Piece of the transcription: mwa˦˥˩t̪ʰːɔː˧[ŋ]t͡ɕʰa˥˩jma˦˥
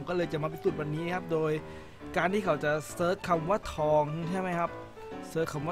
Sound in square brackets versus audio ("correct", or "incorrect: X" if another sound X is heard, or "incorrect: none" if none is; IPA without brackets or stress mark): correct